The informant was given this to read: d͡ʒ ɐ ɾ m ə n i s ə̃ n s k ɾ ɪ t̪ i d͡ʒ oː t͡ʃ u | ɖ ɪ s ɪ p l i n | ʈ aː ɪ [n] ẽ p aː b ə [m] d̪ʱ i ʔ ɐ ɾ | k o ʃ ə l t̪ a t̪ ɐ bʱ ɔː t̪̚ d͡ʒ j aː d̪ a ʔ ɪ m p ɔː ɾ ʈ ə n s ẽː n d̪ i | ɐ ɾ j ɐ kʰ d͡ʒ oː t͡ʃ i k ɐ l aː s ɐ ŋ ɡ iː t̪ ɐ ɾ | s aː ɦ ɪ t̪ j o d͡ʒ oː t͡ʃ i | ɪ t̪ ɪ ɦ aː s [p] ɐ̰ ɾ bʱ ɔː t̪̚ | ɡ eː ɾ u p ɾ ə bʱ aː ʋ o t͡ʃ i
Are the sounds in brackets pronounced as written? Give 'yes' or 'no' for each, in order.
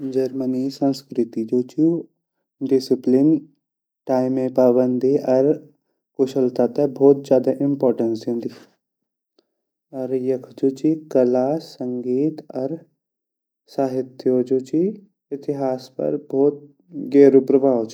no, no, yes

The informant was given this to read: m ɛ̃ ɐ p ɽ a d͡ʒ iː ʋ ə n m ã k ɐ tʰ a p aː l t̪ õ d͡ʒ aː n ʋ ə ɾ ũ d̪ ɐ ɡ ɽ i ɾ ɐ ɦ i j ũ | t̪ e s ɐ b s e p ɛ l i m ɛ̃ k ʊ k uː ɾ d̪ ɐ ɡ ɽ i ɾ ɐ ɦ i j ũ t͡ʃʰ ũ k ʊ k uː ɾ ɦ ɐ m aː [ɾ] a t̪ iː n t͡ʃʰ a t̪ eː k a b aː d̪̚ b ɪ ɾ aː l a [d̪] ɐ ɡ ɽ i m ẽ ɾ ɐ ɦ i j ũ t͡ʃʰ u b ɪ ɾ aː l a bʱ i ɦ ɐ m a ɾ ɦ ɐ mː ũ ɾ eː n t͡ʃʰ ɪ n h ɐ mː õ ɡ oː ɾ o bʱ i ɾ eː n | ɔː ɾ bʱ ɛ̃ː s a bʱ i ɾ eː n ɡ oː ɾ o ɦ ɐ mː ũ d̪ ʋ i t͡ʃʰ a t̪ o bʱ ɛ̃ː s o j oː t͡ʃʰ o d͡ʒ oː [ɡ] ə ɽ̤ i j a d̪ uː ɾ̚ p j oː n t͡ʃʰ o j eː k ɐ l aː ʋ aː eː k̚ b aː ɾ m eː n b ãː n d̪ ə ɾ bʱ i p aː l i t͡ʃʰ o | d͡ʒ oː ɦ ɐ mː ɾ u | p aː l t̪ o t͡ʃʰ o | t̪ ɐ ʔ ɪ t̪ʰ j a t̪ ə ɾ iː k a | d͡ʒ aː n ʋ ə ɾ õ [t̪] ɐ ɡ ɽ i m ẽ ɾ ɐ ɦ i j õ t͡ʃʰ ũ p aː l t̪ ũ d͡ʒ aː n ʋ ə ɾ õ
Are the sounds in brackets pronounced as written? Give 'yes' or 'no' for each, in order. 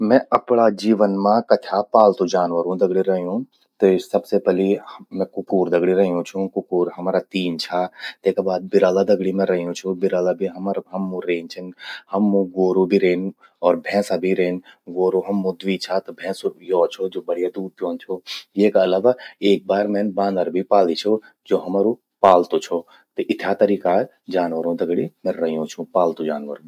yes, yes, no, no

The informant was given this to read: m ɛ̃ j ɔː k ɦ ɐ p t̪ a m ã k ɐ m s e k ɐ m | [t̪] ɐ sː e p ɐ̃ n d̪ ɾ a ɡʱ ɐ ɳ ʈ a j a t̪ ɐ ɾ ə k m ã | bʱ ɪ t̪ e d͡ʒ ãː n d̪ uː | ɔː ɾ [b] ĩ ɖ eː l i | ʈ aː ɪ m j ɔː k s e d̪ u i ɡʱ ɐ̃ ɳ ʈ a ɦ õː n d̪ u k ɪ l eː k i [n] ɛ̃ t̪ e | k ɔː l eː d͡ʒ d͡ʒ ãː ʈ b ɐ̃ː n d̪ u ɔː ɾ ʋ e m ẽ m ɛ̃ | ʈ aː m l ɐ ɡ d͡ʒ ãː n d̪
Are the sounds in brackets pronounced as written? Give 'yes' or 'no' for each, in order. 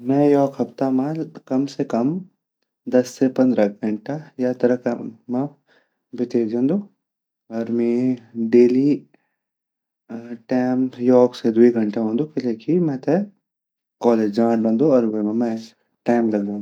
no, no, no

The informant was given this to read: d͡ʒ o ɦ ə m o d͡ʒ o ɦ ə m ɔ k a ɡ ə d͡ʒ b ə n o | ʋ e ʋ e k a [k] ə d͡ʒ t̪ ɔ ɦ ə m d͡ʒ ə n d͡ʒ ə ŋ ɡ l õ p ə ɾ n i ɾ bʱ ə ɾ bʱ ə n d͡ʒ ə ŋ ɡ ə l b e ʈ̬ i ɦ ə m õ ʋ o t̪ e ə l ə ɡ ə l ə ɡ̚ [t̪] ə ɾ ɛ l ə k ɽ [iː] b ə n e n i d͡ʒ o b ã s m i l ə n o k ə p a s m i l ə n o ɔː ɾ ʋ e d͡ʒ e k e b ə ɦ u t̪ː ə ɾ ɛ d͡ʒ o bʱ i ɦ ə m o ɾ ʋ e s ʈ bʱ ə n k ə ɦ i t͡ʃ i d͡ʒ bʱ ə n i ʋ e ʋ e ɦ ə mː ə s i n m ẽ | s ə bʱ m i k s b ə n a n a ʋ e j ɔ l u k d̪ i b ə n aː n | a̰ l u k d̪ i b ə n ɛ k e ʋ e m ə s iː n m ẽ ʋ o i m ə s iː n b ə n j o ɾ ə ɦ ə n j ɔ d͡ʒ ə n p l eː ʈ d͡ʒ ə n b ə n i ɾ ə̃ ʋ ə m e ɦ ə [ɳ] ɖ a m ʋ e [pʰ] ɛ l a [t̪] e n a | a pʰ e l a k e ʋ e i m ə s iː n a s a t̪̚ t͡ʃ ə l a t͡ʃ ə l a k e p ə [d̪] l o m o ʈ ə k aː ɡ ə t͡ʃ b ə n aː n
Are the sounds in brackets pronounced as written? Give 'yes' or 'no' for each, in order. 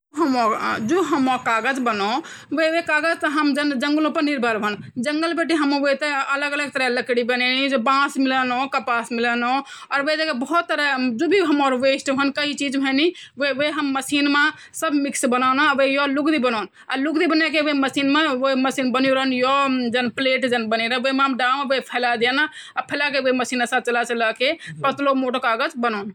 no, yes, no, no, yes, no, no

